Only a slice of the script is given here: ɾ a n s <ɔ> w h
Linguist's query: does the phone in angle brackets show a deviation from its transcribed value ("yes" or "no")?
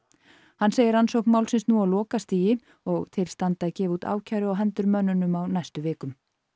yes